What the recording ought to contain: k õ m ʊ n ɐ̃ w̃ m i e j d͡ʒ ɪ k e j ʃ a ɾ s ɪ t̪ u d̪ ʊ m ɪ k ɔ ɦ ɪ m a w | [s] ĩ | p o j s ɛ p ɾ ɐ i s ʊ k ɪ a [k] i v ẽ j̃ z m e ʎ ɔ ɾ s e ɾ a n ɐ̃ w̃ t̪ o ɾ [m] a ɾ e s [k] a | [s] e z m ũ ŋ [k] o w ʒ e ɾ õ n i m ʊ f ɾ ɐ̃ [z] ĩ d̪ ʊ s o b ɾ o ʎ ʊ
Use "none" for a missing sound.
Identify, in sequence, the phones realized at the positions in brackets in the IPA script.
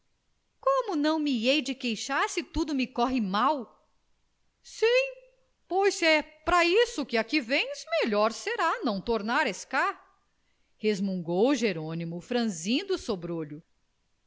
s, k, n, k, h, ɡ, z

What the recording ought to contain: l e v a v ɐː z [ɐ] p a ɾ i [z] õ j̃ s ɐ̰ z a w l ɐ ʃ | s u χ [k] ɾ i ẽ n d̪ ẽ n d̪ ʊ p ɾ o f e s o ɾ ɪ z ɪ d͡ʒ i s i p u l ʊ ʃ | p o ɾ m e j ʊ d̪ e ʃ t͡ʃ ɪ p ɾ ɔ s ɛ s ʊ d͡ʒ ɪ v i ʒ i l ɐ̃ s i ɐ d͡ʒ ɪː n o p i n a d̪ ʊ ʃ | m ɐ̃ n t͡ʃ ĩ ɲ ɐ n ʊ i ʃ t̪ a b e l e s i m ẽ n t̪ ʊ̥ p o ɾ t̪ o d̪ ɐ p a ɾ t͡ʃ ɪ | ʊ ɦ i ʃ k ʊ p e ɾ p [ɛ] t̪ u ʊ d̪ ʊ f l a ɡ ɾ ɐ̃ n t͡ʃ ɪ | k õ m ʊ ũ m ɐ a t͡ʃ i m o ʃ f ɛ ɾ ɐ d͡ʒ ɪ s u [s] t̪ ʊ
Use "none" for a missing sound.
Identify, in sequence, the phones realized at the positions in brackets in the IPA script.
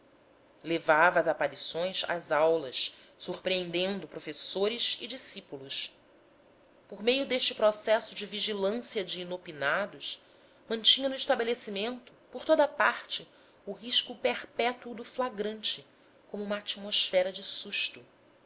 a, s, p, ɛ, ʃ

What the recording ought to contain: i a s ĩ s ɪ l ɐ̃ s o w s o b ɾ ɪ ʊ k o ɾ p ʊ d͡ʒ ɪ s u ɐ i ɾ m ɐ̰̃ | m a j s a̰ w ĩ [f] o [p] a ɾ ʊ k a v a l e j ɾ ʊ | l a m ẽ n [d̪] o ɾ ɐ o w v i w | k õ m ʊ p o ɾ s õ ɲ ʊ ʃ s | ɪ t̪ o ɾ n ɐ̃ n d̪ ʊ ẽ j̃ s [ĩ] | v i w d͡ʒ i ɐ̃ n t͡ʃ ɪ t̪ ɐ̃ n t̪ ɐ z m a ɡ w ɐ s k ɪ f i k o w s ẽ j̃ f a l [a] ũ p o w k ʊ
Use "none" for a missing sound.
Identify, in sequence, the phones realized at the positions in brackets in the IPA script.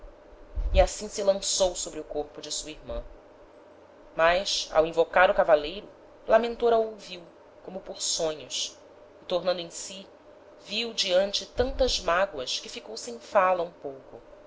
v, k, t̪, i, ɐ

